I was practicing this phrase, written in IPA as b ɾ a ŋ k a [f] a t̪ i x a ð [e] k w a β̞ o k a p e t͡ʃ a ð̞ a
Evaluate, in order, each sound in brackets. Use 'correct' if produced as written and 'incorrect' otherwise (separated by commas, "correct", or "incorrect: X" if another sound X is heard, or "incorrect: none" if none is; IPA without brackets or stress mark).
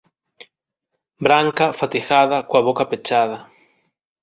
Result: correct, incorrect: a